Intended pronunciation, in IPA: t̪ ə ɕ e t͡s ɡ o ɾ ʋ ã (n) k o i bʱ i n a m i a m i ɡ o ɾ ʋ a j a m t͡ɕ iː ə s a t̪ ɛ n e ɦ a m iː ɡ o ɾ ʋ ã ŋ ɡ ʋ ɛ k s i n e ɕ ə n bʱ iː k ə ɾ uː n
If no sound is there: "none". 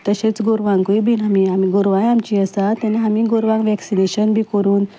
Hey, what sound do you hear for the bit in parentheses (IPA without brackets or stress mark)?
ŋ